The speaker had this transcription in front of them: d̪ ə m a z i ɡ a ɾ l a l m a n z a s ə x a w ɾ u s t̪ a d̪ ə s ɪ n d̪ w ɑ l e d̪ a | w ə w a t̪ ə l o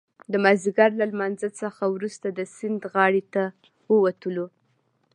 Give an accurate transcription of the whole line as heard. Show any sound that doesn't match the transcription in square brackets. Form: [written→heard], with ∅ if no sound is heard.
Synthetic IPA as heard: d̪ ə m a z i ɡ a ɾ l a l m a n z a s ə x a w ɾ u s t̪ a d̪ ə s ɪ n d̪ [w→ɣ] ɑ [l→ɽ] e [d̪→t̪] a | w ə w a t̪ ə l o